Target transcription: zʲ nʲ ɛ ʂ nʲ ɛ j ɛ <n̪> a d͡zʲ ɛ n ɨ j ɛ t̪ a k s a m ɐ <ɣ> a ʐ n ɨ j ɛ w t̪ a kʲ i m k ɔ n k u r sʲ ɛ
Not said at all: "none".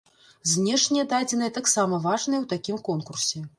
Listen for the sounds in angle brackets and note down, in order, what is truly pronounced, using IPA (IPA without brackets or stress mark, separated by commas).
d̪, v